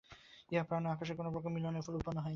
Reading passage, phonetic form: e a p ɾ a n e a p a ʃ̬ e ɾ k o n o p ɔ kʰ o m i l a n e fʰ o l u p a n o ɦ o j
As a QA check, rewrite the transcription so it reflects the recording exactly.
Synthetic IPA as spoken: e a p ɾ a n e a k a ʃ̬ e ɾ k o n o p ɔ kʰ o m i l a n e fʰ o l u p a n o ɦ ɔ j